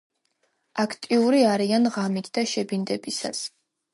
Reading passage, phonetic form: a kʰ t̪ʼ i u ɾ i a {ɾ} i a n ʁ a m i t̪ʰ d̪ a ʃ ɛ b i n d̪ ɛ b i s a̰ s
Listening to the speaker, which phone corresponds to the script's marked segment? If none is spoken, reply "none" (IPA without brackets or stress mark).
ɾ